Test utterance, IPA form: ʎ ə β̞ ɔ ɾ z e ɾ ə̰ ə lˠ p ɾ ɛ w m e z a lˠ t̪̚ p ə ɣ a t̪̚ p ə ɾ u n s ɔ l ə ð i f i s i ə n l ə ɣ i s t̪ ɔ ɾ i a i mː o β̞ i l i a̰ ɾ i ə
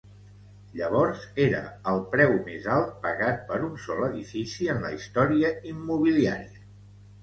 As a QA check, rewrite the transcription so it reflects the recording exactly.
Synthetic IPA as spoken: ʎ ə β̞ ɔ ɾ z e ɾ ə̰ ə lˠ p ɾ ɛ w m e z a lˠ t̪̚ p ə ɣ a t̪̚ p ə ɾ u n s ɔ l ə ð i f i s i ə n l ə i s t̪ ɔ ɾ i ə i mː u β̞ i l i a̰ ɾ i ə